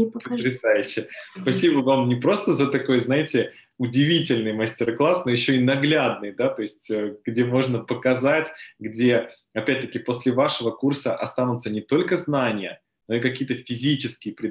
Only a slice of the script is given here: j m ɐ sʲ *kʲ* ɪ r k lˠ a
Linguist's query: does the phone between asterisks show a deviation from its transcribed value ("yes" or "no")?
yes